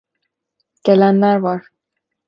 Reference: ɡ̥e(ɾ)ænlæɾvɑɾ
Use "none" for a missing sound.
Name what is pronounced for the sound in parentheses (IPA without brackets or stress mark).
l